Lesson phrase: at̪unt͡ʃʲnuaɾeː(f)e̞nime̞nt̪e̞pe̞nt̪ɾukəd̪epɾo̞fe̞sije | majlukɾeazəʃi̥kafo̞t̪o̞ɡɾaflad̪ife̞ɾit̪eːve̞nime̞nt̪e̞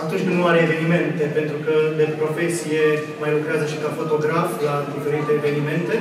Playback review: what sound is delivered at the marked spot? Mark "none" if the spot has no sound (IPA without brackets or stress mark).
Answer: v